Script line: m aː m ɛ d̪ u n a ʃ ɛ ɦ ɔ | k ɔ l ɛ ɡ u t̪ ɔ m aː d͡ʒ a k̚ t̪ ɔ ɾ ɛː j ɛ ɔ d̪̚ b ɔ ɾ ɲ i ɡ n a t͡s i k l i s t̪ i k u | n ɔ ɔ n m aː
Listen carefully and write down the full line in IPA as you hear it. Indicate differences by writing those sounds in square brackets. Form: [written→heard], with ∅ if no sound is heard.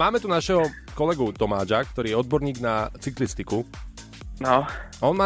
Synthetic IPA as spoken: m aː m ɛ [d̪→t̪] u n a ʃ ɛ ɦ ɔ | k ɔ l ɛ ɡ u t̪ ɔ m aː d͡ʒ a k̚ t̪ ɔ ɾ [ɛː→iː] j ɛ ɔ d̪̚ b ɔ ɾ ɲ [i→iː] ɡ n a t͡s i k l i s t̪ i k u | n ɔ ɔ n m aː